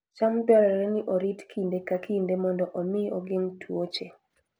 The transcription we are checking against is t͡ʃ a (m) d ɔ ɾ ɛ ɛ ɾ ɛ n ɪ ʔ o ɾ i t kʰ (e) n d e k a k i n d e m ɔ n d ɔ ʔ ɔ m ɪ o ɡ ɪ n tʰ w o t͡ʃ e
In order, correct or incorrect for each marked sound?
correct, incorrect: i

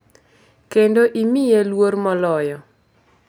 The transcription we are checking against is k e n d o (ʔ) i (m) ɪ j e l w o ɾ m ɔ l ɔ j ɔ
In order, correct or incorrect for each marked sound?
correct, correct

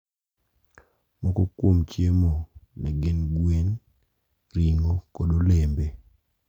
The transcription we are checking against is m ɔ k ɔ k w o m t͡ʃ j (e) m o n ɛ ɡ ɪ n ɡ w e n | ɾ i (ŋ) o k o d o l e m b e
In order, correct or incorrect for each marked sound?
correct, correct

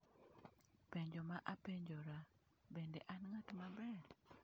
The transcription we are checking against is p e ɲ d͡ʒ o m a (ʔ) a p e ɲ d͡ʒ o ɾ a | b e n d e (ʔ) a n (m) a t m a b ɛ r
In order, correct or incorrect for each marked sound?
correct, correct, incorrect: ŋ

